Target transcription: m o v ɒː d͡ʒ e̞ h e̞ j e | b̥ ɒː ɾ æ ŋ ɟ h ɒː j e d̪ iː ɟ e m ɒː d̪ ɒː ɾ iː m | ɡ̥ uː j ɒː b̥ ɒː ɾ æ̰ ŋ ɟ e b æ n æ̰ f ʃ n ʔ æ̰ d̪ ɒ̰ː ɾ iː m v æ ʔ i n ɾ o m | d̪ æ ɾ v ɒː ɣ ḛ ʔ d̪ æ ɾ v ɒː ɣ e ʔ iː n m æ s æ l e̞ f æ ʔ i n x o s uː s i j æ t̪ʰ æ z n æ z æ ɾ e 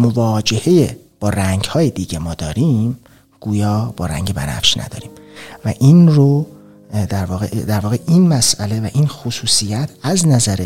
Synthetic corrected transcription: m o v ɒː d͡ʒ e̞ h e̞ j e | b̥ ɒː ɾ æ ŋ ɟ h ɒː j e d̪ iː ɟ e m ɒː d̪ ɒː ɾ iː m | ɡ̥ uː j ɒː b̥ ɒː ɾ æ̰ ŋ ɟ e b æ n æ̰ f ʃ n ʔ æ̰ d̪ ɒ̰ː ɾ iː m v æ ʔ i n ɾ o | d̪ æ ɾ v ɒː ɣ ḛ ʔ d̪ æ ɾ v ɒː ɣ e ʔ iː n m æ s æ l e̞ v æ ʔ i n x o s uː s i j æ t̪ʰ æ z n æ z æ ɾ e